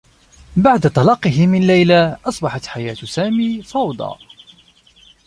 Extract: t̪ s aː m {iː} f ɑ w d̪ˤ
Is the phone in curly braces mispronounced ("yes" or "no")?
no